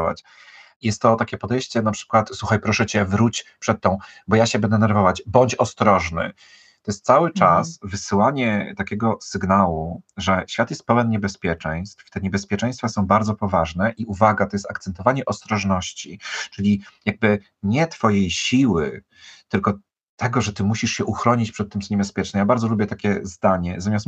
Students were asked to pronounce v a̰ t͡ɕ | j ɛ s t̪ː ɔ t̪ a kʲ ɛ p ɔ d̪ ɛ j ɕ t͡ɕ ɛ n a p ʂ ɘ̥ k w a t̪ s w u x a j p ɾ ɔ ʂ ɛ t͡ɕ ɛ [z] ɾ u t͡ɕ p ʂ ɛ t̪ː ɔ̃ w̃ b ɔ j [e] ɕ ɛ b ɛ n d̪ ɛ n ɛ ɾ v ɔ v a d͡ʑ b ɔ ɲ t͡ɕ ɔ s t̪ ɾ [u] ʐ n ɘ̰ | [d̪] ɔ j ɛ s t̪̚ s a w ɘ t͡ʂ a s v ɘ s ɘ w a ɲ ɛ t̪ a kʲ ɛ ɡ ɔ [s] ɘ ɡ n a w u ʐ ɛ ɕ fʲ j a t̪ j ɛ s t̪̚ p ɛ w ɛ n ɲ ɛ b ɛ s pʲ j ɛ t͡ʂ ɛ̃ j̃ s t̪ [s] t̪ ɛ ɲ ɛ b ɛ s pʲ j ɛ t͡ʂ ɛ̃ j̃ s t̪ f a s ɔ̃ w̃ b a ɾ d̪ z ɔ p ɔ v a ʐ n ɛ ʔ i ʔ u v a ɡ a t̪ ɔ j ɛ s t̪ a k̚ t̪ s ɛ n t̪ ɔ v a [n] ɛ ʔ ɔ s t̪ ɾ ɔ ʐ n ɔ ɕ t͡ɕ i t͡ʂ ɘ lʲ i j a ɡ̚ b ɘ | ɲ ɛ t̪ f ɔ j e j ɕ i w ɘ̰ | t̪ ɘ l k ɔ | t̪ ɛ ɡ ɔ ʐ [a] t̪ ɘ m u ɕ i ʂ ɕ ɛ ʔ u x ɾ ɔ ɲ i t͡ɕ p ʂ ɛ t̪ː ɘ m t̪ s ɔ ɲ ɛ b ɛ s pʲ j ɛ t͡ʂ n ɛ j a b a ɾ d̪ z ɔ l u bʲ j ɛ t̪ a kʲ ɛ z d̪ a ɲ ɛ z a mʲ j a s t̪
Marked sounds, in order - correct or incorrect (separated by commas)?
incorrect, incorrect, incorrect, incorrect, correct, incorrect, incorrect, incorrect